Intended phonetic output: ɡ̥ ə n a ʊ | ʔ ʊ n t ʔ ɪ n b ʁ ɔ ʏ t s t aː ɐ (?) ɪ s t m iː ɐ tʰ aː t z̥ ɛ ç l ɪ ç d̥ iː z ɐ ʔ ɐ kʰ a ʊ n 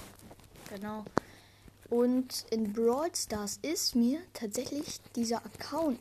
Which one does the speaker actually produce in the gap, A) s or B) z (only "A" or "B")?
A